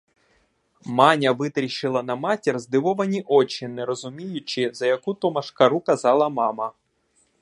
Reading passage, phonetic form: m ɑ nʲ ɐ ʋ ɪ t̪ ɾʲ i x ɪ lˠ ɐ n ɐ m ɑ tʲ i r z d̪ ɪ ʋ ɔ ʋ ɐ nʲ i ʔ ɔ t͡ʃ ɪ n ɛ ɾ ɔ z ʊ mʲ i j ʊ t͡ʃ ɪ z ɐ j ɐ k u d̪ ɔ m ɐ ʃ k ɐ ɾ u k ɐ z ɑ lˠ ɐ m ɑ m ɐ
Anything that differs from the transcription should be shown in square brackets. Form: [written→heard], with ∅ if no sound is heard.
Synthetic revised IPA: m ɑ nʲ ɐ ʋ ɪ t̪ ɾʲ i [x→ʃ] ɪ lˠ ɐ n ɐ m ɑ tʲ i r z d̪ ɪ ʋ ɔ ʋ ɐ nʲ i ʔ ɔ t͡ʃ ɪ n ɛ ɾ ɔ z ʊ mʲ i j ʊ t͡ʃ ɪ z ɐ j ɐ k u [d̪→t̪] ɔ m ɐ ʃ k ɐ ɾ u k ɐ z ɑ lˠ ɐ m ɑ m ɐ